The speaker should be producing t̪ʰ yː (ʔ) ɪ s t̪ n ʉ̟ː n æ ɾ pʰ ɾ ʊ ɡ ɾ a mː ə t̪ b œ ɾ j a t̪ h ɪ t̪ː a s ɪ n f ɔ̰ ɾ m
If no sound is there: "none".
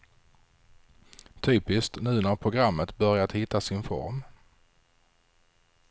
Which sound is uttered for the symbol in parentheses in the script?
p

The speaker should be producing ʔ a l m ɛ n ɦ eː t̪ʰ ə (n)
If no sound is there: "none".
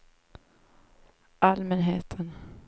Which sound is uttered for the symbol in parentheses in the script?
n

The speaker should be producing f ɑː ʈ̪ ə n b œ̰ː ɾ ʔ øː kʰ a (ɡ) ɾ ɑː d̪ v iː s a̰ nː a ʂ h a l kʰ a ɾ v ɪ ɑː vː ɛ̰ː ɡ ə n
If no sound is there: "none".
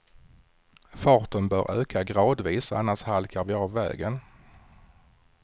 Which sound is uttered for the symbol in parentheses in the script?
ɡ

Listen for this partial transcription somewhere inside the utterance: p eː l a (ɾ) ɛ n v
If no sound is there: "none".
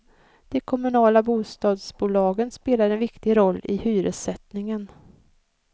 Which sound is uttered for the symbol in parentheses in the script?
ɾ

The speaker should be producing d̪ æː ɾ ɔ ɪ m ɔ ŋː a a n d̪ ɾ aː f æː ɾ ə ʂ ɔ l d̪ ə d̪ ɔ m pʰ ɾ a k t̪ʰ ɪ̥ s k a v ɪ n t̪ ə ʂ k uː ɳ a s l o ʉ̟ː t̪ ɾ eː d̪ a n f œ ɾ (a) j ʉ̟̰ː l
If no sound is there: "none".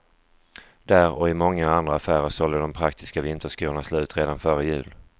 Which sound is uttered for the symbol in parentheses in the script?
ə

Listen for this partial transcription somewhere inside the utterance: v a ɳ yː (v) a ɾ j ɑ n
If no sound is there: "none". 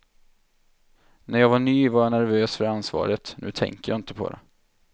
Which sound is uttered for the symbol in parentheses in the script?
v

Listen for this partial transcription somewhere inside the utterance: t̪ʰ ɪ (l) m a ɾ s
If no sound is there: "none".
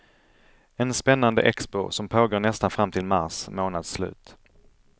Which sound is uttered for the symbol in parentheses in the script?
l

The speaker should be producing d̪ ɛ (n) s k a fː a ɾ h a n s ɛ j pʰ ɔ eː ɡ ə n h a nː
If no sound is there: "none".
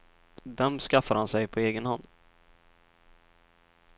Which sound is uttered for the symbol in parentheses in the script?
m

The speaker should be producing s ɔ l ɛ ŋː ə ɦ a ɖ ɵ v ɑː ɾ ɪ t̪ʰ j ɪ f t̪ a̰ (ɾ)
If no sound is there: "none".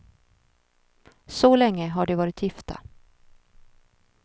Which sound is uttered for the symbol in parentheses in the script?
none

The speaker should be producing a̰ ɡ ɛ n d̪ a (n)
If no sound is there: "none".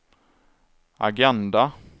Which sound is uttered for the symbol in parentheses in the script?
none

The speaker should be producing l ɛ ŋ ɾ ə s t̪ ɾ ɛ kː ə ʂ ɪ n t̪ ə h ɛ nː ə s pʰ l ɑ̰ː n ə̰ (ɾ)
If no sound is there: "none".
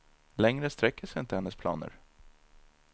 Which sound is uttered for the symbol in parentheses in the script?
ɾ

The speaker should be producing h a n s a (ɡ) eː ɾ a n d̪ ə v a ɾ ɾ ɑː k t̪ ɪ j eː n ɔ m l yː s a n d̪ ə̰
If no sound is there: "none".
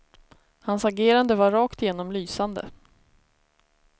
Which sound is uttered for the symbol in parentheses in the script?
ɡ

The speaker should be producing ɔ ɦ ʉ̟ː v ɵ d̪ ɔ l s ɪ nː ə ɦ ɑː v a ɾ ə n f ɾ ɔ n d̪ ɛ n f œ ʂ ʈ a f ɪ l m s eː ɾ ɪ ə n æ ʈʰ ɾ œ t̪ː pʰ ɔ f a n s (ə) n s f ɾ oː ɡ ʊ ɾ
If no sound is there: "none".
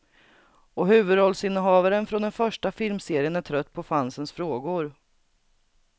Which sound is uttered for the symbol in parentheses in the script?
ə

